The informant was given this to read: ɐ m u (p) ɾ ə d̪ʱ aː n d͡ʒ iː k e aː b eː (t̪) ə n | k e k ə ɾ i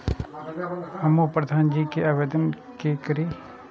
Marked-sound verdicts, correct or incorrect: correct, incorrect

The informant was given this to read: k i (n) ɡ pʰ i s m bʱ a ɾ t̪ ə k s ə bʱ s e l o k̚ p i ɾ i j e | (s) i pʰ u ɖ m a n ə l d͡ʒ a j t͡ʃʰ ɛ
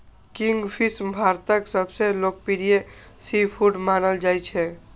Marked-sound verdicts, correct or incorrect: incorrect, correct

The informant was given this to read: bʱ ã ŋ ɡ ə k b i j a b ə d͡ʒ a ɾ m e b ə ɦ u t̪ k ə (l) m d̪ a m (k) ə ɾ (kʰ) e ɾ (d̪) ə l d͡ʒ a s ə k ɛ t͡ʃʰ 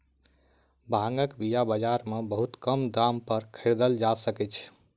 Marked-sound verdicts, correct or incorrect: incorrect, incorrect, correct, correct

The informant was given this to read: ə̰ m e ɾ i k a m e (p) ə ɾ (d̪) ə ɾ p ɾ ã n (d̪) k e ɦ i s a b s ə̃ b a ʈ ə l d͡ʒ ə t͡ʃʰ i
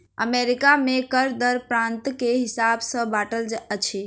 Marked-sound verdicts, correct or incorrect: incorrect, correct, incorrect

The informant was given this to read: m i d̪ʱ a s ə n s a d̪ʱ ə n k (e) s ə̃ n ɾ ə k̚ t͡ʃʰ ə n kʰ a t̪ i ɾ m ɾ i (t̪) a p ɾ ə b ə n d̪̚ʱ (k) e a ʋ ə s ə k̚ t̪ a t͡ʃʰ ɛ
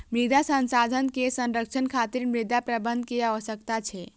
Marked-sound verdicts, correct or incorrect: correct, incorrect, correct

